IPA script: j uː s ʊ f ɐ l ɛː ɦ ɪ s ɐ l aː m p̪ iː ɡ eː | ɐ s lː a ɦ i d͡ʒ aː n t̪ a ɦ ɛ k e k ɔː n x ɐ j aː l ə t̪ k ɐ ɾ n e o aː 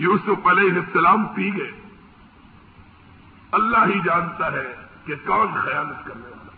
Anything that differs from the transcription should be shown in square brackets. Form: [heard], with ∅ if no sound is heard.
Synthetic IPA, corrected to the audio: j uː s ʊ f ɐ l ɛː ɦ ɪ s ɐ l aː m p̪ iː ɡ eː | ɐ [∅] lː a ɦ i d͡ʒ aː n t̪ a ɦ ɛ k e k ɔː n x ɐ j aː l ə t̪ k ɐ ɾ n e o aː